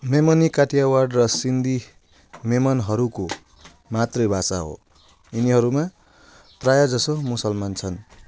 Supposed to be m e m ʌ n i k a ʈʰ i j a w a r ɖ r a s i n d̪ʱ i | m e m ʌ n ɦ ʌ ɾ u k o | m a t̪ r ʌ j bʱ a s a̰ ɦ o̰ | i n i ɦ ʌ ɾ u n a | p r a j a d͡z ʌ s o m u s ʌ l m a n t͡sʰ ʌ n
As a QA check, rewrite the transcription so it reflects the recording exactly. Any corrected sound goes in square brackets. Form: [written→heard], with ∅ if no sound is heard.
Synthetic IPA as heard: m e m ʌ n i k a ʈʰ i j a w a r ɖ r [a→ʌ] s i n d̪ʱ i | m e m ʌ n ɦ ʌ ɾ u k o | m a t̪ r ʌ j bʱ a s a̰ ɦ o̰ | i n i ɦ ʌ ɾ u [n→m] a | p r a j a d͡z ʌ s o m u s ʌ l m a n t͡sʰ ʌ n